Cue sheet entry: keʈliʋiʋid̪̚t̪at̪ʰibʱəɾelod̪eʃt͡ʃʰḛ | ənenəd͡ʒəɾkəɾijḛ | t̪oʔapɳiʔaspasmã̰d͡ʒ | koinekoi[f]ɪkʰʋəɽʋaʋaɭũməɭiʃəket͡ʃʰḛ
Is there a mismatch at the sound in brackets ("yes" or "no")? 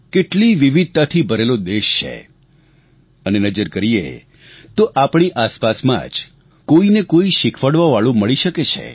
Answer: yes